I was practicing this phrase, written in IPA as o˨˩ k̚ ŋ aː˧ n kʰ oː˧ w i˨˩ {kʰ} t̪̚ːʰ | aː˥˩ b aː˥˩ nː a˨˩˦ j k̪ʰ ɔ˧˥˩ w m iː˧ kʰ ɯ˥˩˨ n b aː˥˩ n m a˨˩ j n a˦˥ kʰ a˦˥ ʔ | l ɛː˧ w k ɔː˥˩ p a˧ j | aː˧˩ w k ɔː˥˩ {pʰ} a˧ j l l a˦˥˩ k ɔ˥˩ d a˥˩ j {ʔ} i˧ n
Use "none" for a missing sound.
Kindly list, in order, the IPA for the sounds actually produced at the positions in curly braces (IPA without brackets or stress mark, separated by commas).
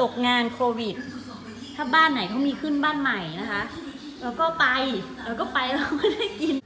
none, p, k